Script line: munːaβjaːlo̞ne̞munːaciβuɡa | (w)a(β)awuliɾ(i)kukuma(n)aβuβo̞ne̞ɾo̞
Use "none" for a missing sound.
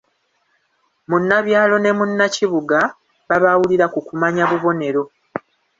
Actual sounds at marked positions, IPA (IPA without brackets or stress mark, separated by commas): β, β, a, ɲ